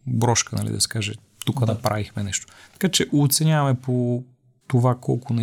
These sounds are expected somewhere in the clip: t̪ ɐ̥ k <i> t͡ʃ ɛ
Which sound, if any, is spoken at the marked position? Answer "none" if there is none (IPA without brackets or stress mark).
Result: a